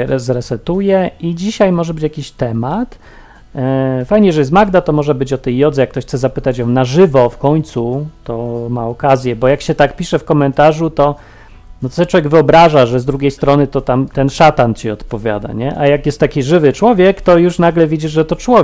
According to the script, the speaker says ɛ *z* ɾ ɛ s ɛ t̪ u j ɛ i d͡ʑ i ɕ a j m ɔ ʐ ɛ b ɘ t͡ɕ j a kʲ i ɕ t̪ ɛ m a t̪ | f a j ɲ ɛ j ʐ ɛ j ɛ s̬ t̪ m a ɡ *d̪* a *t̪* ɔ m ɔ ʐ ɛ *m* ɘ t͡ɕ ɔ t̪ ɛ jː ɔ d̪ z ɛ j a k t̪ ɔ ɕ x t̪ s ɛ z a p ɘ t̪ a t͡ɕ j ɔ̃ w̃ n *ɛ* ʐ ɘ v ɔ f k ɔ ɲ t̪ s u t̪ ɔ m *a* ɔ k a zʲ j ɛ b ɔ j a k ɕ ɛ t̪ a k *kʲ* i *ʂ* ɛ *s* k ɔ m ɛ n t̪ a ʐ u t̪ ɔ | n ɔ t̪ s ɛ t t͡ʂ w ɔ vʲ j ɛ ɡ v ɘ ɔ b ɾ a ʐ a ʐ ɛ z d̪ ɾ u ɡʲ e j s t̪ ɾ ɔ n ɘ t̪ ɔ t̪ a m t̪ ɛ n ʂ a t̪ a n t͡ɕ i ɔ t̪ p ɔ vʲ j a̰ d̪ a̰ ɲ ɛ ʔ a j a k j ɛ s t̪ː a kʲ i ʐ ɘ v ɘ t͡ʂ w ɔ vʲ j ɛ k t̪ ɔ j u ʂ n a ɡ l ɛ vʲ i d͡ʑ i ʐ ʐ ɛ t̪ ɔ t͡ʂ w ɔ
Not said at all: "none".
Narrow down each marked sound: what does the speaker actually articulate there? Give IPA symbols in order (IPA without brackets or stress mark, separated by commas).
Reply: z, d̪, t̪, b, a, a, pʲ, ʂ, f